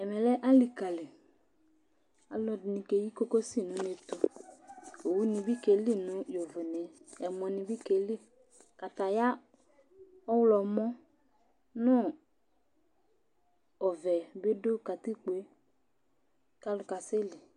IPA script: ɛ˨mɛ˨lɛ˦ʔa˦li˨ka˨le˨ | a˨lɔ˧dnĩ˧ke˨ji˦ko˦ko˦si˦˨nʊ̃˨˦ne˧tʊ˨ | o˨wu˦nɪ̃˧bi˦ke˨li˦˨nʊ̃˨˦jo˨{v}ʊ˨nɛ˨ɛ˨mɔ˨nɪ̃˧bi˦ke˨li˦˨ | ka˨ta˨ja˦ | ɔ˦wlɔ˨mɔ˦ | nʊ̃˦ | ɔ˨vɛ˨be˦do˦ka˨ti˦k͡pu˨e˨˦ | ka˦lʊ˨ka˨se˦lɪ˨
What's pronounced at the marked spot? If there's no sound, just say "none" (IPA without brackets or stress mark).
v